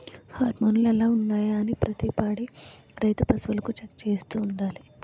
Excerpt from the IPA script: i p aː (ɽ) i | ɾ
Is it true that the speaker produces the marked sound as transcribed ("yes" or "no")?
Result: yes